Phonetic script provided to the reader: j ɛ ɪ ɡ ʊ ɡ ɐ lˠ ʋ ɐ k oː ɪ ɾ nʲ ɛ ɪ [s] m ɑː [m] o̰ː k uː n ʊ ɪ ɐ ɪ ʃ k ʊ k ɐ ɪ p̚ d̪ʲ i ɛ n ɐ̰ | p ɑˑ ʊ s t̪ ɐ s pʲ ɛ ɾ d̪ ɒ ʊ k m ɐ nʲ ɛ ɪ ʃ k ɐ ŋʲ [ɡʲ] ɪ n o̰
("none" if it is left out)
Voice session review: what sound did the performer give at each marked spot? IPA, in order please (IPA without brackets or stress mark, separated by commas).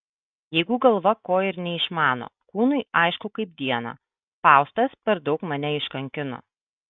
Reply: ʃ, n, kʲ